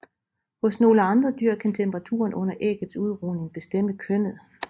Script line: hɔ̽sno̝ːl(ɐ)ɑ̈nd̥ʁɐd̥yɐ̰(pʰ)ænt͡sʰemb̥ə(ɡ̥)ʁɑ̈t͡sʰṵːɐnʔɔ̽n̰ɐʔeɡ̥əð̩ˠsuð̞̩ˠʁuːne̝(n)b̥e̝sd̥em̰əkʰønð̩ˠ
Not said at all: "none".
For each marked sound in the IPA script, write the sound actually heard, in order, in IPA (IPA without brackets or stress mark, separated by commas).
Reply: ə, kʰ, none, ŋ